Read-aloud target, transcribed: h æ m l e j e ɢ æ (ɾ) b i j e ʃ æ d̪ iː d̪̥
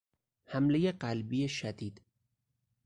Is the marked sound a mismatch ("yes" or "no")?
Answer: yes